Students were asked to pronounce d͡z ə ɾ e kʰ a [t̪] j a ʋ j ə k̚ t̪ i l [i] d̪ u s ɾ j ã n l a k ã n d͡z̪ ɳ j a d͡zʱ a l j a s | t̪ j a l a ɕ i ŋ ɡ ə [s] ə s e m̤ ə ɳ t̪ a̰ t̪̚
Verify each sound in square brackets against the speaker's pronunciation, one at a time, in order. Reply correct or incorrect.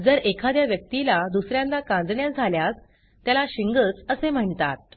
incorrect: d̪, incorrect: a, incorrect: t͡s

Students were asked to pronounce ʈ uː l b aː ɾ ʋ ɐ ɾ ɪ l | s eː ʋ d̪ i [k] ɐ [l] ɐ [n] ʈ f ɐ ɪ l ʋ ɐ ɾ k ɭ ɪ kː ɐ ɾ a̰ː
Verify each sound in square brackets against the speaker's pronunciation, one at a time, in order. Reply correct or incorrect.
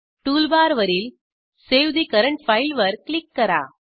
correct, incorrect: ɾ, incorrect: ɳ

